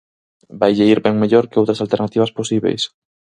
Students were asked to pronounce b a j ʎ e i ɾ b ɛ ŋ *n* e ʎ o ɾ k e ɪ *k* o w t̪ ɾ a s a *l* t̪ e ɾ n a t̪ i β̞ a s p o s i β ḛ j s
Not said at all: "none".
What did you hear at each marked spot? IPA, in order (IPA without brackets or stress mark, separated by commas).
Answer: m, none, l